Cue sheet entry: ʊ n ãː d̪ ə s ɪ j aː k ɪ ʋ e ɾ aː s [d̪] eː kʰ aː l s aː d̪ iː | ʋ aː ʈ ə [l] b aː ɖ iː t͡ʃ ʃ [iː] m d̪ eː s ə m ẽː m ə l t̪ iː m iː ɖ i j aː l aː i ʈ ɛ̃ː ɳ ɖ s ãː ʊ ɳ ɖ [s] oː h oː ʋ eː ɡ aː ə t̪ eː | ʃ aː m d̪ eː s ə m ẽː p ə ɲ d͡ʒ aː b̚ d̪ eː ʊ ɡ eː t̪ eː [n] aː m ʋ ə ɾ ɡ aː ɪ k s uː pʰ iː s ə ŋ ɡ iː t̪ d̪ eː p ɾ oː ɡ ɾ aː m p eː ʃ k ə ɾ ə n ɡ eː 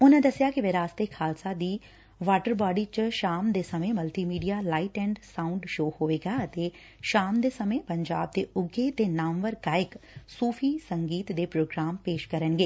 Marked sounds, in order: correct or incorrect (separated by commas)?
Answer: incorrect, incorrect, incorrect, incorrect, correct